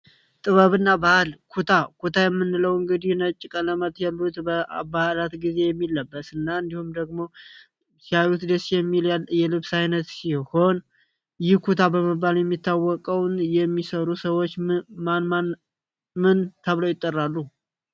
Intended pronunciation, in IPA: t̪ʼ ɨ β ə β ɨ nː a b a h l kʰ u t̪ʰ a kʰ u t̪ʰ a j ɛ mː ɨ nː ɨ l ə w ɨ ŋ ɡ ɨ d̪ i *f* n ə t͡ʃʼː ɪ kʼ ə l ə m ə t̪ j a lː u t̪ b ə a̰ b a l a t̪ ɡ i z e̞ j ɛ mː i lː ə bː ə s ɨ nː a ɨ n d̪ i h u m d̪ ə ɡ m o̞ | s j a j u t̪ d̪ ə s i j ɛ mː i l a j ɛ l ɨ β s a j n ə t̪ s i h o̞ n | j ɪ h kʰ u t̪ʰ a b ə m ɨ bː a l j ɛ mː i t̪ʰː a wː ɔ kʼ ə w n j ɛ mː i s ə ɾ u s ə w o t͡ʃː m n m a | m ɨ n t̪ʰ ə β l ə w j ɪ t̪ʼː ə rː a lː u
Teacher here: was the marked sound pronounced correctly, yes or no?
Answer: no